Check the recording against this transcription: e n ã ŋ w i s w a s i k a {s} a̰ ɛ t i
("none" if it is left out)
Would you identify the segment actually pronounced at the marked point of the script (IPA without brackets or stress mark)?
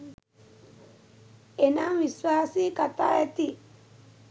t